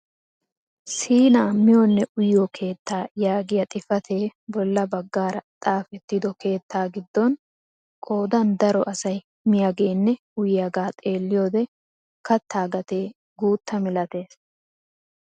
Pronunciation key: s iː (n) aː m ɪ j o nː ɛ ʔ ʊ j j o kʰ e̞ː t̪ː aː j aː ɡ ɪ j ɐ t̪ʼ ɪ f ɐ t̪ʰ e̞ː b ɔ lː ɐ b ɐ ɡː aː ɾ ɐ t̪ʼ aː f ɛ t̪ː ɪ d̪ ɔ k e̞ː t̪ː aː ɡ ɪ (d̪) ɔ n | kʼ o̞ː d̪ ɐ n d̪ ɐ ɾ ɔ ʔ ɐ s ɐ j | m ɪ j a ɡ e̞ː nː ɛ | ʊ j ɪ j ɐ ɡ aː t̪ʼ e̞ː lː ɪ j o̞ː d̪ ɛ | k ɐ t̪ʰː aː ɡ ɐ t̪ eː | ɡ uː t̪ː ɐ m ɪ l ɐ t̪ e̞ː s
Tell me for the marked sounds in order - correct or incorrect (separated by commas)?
correct, incorrect